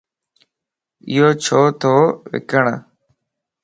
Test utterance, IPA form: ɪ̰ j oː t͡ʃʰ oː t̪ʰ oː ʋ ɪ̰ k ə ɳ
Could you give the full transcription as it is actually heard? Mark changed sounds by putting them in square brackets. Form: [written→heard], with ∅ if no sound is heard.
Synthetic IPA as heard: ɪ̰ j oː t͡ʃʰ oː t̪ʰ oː ʋ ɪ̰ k ə ɳ